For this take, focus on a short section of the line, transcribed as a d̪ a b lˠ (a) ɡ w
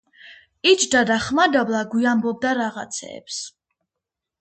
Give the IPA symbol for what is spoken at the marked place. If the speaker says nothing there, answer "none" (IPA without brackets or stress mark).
a